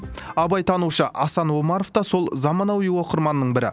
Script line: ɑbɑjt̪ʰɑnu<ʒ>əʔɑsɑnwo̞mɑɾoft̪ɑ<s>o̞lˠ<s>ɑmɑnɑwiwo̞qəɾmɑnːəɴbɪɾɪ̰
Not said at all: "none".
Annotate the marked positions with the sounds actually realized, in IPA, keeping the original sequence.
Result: ʃ, s, z

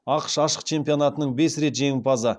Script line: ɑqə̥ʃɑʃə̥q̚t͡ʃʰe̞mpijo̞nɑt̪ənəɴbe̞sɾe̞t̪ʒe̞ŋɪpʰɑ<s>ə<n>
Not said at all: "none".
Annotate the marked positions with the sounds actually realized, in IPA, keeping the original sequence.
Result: z, none

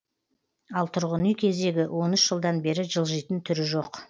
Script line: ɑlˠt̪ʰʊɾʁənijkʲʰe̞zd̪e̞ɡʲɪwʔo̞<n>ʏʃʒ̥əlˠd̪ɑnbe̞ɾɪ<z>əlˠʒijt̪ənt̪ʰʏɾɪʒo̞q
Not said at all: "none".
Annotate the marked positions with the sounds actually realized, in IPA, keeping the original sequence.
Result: n, ʒ

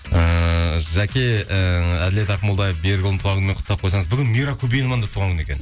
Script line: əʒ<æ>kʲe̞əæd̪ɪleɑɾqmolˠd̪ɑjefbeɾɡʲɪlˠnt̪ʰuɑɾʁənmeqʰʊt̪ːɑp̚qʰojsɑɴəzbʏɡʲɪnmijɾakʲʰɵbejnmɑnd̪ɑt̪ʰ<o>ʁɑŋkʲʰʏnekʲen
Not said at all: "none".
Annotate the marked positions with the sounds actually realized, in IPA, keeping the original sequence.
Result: æ, u

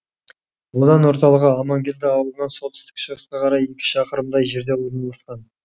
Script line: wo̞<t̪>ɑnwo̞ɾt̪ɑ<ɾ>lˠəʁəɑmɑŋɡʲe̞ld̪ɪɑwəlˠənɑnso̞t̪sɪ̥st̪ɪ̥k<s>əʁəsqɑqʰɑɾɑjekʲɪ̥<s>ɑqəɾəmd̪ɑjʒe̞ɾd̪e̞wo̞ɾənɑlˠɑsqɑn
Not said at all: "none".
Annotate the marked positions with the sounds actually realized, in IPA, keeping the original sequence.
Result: d̪, none, ʃ, ʃ

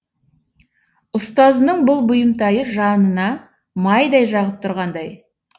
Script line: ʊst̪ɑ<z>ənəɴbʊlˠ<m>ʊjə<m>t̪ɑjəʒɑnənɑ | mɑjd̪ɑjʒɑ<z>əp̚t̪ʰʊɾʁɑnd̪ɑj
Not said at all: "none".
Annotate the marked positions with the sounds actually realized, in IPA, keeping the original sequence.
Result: z, b, m, ʁ

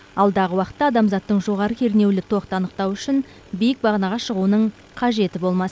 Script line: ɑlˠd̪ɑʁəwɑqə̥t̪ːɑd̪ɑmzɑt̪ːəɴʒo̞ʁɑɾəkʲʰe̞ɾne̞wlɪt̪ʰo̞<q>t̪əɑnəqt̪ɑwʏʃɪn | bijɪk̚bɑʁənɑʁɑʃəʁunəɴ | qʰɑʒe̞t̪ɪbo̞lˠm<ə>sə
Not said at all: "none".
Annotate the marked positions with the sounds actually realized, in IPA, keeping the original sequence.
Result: q, ɑ

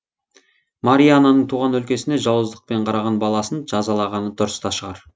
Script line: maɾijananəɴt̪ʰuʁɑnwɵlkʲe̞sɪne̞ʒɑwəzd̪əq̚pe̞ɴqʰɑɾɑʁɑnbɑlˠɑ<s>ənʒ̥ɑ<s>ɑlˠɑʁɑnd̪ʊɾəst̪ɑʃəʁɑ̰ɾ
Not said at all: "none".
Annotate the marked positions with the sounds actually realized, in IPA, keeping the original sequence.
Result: s, z

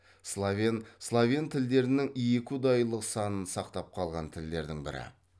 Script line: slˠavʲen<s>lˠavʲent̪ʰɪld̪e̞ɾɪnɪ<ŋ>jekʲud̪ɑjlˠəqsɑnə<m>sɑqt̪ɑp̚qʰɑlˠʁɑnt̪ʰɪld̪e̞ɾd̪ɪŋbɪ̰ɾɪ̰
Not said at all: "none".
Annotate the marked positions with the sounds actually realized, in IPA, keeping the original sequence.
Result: s, ŋ, n

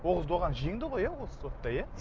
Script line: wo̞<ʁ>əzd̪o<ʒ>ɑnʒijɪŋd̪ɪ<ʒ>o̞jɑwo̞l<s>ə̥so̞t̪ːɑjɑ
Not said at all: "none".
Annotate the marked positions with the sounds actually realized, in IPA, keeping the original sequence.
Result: ʁ, ʁ, ʁ, s

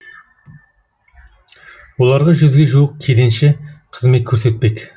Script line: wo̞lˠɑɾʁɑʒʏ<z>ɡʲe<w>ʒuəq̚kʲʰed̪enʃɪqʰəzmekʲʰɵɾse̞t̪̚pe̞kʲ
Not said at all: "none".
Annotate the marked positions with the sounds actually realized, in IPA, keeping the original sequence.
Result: z, none

